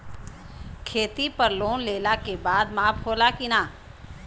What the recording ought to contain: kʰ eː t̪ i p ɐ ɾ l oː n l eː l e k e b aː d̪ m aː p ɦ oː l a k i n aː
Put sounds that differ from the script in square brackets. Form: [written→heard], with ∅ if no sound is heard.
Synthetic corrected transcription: kʰ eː t̪ i p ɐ ɾ l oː n l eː l [e→a] k e b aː d̪ m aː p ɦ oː l a k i n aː

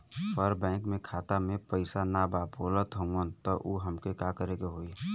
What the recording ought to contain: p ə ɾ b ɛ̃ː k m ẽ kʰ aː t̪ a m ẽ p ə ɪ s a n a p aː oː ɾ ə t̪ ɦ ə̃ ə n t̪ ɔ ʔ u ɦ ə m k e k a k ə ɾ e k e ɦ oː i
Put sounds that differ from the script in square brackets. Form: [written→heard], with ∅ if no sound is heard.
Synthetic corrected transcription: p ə ɾ b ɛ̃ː k m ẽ kʰ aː t̪ a m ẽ p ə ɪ s a n a [p→b] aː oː [ɾ→l] ə t̪ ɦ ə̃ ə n t̪ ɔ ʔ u ɦ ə m k e k a k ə ɾ e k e ɦ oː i

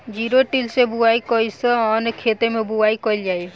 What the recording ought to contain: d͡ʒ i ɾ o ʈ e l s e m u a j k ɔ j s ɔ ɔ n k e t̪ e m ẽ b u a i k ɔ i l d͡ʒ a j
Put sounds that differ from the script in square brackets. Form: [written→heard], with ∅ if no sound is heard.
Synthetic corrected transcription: d͡ʒ i ɾ o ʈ [e→i] l s e [m→b] u a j k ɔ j s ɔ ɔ n [k→kʰ] e t̪ e m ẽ b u a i k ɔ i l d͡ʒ a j

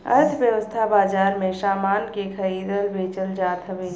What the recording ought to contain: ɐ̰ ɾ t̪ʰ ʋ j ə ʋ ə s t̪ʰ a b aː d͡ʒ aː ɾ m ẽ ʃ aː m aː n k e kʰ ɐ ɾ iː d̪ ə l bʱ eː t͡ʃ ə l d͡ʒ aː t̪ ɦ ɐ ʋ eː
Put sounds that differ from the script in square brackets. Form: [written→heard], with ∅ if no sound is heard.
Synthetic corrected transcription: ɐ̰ ɾ t̪ʰ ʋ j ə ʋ ə s t̪ʰ a b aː d͡ʒ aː ɾ m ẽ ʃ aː m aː n k e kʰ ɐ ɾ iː d̪ ə l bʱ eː t͡ʃ ə l d͡ʒ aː t̪ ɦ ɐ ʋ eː

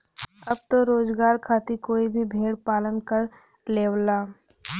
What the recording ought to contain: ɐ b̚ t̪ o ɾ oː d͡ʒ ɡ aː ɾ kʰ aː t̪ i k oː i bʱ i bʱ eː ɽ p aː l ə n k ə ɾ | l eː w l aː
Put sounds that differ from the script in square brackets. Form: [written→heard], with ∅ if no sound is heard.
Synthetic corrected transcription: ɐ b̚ t̪ o ɾ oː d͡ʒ ɡ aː ɾ kʰ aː t̪ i k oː i bʱ i bʱ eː ɽ p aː l ə n k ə ɾ | l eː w l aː

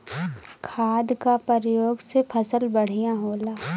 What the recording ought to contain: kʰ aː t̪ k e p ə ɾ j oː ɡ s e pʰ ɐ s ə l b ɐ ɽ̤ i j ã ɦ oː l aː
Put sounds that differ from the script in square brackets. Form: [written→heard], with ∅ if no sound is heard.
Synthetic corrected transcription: kʰ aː [t̪→d̪] k [e→a] p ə ɾ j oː ɡ s e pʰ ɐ s ə l b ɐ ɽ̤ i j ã ɦ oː l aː

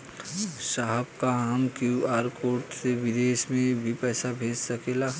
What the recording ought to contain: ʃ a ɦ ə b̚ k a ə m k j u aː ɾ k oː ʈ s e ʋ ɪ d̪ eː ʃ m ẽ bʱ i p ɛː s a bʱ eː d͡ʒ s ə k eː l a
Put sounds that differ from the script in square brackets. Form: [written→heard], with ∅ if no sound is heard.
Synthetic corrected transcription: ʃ a ɦ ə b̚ k a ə m k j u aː ɾ k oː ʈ s e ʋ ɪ d̪ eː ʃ m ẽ bʱ i p ɛː s a bʱ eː d͡ʒ s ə k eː l a

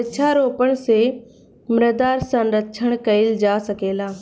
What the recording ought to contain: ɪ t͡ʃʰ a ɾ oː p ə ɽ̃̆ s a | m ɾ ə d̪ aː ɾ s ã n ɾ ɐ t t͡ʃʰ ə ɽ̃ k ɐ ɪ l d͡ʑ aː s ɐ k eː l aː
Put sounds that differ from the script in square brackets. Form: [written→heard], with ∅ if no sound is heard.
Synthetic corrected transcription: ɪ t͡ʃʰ a ɾ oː p ə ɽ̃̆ s [a→e] | m ɾ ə d̪ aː ɾ s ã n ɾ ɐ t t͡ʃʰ ə ɽ̃ k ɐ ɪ l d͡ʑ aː s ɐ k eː l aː

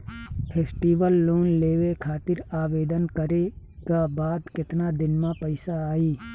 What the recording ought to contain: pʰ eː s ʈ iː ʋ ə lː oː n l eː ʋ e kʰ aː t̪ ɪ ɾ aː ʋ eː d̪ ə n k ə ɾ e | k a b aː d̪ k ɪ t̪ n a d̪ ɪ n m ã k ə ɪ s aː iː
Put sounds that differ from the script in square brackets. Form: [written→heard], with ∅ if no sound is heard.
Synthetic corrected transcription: pʰ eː s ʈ iː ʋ ə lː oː n l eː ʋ e kʰ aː t̪ ɪ ɾ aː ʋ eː d̪ ə n k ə ɾ e | k a b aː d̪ k ɪ t̪ n a d̪ ɪ n m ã [k→p] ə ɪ s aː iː

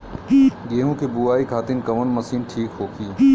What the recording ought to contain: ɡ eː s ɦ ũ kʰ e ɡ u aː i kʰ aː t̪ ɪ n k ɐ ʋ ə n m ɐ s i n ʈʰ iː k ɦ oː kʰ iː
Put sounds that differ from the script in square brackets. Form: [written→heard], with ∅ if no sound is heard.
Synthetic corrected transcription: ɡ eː [s→∅] ɦ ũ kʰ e [ɡ→b] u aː i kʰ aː t̪ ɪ n k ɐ ʋ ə n m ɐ s [i→iː] n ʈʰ iː k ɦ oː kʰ iː

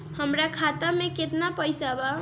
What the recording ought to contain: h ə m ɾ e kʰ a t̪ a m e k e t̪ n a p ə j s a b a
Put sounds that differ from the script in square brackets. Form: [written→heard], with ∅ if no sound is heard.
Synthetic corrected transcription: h ə m ɾ [e→a] kʰ a t̪ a m e k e t̪ n a p ə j s a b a

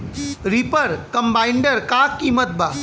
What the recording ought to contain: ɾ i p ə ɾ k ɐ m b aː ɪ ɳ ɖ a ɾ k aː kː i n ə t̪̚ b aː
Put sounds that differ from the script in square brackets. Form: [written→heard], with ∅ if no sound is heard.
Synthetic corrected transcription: ɾ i p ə ɾ k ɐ m b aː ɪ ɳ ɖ [a→ə] ɾ k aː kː i [n→m] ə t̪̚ b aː

